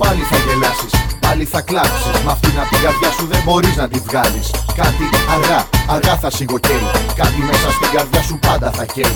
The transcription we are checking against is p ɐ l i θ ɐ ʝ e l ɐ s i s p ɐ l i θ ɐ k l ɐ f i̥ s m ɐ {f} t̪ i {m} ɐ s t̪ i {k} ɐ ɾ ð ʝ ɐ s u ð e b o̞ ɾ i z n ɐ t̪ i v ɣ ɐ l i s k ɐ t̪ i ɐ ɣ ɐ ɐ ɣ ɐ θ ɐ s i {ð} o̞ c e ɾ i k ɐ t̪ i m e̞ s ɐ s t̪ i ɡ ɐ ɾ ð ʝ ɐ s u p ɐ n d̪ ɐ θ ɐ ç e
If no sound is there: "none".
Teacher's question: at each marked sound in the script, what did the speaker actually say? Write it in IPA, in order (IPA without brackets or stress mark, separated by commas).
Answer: f, n, ɡ, ɣ